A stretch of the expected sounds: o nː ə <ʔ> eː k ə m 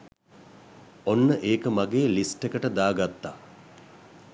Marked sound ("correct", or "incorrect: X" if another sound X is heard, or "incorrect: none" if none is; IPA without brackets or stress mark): correct